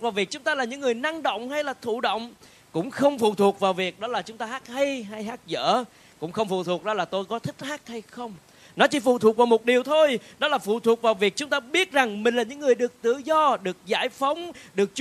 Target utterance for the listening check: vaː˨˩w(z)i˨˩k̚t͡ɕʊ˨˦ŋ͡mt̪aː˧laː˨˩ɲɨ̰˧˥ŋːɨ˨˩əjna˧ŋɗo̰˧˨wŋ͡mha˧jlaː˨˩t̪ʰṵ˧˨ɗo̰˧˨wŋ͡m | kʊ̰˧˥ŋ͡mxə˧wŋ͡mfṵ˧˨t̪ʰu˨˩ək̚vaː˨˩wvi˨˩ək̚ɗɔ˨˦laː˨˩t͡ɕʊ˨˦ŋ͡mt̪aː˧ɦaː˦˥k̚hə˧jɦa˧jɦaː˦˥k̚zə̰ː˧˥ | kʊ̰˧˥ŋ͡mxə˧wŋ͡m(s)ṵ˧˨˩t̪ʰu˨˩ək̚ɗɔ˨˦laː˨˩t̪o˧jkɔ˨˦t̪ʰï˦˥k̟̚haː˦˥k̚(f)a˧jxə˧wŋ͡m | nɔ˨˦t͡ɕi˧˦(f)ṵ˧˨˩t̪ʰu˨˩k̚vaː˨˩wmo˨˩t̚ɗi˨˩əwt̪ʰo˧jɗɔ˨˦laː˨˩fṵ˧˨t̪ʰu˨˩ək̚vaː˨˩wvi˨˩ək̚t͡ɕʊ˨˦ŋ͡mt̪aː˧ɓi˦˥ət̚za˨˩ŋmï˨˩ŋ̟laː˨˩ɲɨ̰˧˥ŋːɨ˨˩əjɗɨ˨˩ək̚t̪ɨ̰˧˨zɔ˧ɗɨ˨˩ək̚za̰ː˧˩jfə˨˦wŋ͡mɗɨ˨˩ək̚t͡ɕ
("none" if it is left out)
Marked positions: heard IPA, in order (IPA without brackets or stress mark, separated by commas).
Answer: v, f, h, f